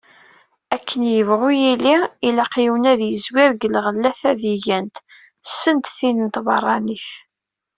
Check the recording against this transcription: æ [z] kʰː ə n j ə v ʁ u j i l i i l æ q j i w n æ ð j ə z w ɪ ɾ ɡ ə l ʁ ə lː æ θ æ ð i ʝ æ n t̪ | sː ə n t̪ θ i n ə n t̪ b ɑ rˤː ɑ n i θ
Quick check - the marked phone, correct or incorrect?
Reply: incorrect